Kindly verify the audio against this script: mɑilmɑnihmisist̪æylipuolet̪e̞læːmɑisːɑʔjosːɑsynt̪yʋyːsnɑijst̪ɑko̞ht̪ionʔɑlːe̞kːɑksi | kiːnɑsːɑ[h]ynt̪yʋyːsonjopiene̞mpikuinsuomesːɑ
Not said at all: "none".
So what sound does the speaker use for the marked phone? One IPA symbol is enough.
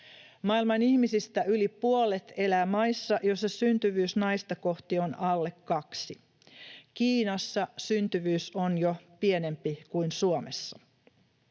s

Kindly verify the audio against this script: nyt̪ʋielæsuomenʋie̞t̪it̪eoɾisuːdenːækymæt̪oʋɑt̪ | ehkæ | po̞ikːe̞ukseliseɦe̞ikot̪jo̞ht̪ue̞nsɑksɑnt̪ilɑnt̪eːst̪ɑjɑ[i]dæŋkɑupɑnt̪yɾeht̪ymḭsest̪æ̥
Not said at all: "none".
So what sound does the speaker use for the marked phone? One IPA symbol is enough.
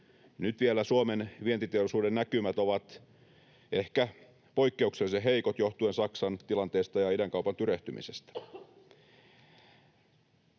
i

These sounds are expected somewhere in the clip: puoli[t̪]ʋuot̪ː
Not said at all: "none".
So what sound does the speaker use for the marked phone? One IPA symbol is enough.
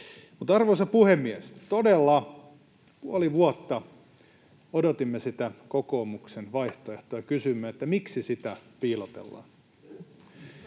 none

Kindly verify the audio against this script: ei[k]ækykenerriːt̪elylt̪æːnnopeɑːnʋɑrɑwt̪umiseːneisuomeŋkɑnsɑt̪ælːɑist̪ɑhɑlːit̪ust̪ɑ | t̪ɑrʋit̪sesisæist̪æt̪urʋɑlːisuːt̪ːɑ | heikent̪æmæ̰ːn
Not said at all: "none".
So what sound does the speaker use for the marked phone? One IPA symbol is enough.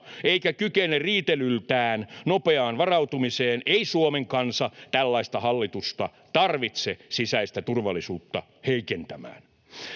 k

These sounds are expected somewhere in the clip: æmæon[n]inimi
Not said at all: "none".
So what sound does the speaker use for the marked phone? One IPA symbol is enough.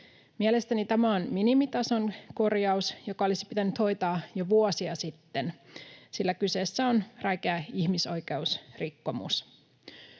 m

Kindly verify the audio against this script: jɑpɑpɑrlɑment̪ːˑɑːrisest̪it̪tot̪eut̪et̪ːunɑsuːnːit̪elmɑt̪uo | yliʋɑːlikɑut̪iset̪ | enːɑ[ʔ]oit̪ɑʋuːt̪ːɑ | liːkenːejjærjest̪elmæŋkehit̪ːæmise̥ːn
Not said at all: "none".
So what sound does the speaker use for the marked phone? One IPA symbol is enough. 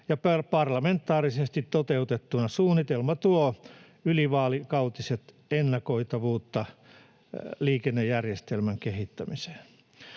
k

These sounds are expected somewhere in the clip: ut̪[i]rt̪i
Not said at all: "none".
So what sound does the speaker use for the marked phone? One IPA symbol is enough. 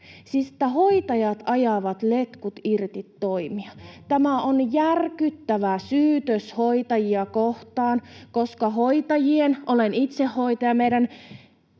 i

